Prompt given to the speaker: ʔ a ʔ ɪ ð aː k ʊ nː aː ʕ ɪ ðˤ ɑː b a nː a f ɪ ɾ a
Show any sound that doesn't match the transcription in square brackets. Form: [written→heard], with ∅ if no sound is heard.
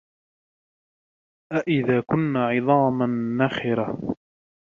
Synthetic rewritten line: ʔ a ʔ ɪ ð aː k ʊ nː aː ʕ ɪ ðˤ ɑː [b→m] a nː a [f→x] ɪ ɾ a